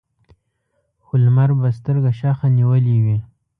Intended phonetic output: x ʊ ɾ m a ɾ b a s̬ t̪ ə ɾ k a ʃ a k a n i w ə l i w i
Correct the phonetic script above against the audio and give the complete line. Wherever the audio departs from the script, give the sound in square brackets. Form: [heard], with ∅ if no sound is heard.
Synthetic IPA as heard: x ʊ [l] m a ɾ b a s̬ t̪ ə ɾ [ɡ] a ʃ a [x] a n i w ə l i w i